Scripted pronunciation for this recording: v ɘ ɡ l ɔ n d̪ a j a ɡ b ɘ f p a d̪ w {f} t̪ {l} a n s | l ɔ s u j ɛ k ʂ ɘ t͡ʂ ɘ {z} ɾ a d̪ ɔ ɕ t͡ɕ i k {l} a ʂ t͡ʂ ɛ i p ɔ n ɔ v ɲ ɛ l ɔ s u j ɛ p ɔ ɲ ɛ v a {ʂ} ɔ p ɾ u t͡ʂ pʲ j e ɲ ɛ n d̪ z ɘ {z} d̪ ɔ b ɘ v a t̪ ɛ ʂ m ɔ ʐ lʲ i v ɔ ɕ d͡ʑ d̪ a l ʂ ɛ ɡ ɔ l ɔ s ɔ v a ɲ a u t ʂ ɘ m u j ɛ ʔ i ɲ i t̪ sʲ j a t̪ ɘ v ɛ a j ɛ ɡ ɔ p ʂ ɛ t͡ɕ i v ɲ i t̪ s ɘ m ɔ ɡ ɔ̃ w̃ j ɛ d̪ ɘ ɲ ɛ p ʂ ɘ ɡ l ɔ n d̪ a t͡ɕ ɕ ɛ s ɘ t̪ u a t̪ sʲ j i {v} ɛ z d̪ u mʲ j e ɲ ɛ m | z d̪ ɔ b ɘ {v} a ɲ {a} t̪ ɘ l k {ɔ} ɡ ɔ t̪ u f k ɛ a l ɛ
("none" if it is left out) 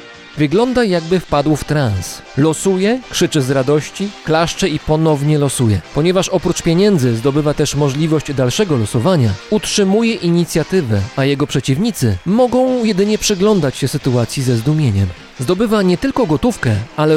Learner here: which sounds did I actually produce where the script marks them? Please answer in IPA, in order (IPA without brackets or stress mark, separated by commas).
f, ɾ, z, l, ʂ, z, z, v, ɛ, ɔ